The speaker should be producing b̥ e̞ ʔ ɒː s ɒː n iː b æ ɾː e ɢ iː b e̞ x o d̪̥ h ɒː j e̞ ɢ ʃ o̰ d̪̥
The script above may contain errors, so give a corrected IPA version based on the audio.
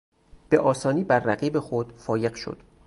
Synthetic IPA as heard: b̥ e̞ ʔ ɒː s ɒː n iː b æ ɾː æ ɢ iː b e̞ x o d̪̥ f ɒː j e̞ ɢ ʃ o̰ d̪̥